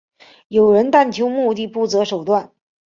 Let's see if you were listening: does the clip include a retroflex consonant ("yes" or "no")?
yes